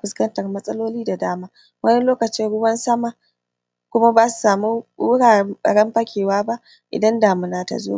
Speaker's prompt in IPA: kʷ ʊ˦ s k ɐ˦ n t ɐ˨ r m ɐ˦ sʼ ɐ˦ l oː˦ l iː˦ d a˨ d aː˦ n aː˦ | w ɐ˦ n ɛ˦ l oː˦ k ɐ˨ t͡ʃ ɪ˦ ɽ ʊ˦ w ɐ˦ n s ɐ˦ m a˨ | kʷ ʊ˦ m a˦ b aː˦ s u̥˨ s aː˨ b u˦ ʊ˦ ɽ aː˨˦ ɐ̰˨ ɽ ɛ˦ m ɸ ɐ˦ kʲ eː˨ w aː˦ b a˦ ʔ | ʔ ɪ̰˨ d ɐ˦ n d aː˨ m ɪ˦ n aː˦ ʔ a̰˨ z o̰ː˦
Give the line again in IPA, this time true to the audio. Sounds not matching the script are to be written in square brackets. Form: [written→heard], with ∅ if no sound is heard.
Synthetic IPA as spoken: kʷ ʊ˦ s k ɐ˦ n t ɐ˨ r m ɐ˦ sʼ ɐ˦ l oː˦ l iː˦ d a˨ d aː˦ [n→m] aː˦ | w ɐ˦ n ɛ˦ l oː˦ k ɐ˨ t͡ʃ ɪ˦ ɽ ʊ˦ w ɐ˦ n s ɐ˦ m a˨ | kʷ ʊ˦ m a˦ b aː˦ s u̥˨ s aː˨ [b→m] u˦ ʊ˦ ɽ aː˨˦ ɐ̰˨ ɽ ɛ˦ m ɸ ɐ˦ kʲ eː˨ w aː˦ b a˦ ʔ | ʔ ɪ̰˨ d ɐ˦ n d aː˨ m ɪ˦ n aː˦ [ʔ→t] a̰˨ z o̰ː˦